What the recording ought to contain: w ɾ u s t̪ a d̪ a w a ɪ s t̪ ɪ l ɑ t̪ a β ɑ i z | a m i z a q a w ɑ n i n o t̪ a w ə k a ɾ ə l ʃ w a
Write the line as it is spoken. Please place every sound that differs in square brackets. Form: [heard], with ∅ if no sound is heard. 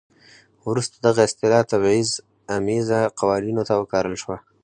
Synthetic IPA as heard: w ɾ u s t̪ a d̪ a [ɣ] a ɪ s t̪ ɪ l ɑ t̪ a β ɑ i z | a m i z a q a w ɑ n i n o t̪ a w ə k [ɑ] ɾ ə l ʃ w a

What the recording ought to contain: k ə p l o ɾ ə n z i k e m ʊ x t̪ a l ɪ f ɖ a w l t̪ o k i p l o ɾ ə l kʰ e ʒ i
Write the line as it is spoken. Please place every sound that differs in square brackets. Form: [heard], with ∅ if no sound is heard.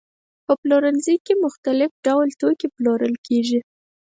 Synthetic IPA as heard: [p] ə p l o ɾ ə n z i k e m ʊ x t̪ a l ɪ f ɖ a w l t̪ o k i p l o ɾ ə l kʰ e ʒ i

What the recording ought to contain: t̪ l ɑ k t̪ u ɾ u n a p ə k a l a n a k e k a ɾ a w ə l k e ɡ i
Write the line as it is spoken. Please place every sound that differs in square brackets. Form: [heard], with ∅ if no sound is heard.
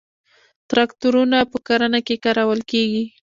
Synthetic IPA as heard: t̪ [ɾ] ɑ k t̪ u ɾ u n a p ə k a [ɾ] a n a k e k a ɾ a w ə l k e ɡ i

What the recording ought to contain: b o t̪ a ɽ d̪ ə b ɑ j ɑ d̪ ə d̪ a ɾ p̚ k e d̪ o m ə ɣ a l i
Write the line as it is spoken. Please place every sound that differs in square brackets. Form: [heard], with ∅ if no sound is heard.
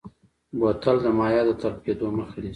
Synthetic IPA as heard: b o t̪ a [l] d̪ ə [m] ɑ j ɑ d̪ ə [t̪] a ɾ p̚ k e d̪ o m ə [x] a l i

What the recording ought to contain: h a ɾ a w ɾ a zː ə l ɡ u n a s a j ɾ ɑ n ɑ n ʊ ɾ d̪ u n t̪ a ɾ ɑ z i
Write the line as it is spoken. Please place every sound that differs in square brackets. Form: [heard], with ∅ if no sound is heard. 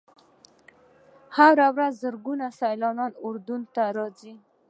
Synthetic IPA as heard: h a ɾ a w ɾ a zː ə [ɾ] ɡ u n a s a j [l] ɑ n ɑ n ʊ ɾ d̪ u n t̪ a ɾ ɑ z i

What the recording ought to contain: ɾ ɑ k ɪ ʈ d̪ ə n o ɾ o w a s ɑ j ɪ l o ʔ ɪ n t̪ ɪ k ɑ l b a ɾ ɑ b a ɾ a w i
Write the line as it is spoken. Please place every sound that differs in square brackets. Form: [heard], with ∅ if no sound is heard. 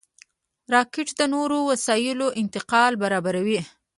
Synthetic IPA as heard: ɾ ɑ k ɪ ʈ d̪ ə n o ɾ o w a s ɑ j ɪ l o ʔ ɪ n t̪ ɪ [q] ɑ l b a ɾ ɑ b a ɾ a w i

